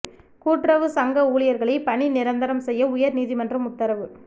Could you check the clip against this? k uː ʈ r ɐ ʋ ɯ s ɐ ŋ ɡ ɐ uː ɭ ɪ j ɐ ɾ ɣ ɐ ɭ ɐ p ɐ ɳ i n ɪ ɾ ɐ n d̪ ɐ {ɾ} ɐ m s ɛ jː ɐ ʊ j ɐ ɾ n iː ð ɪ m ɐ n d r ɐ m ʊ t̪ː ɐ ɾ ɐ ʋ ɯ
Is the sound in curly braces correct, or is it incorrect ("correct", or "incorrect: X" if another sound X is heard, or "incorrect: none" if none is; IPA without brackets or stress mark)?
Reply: correct